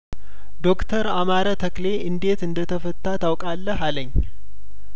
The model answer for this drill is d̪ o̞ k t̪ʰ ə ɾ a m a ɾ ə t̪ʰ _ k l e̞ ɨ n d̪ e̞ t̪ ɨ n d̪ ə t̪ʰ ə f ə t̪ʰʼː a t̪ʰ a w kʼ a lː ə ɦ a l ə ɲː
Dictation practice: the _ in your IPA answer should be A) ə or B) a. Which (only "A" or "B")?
A